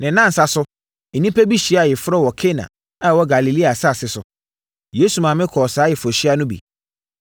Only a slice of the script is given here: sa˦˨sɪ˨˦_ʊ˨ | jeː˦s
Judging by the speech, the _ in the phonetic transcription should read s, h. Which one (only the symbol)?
s